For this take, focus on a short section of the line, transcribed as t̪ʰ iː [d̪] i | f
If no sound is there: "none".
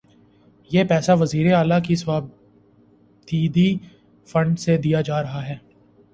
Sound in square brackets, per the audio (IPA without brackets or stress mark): d̪